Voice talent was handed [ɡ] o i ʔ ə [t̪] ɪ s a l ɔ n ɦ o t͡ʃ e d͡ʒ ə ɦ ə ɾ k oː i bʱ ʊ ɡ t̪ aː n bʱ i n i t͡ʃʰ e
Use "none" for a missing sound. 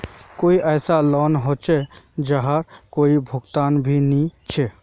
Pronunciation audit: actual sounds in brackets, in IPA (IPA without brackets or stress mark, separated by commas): k, none